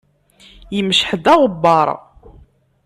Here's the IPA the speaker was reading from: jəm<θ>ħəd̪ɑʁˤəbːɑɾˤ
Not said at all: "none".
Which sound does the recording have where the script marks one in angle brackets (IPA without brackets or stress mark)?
ʃ